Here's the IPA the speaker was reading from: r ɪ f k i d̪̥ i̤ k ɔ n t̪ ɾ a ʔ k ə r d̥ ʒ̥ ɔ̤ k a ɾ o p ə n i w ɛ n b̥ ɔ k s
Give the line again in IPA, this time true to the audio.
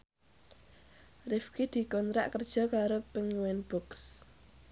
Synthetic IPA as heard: r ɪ f k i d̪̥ i̤ k ɔ n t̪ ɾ a ʔ k ə r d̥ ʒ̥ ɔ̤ k a ɾ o p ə ŋ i w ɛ n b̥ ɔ k s